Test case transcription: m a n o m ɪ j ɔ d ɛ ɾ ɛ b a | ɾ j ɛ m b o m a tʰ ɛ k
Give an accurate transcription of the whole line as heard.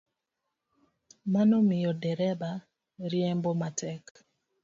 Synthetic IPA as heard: m a n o m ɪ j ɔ d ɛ ɾ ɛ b a | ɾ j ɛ m b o m a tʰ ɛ k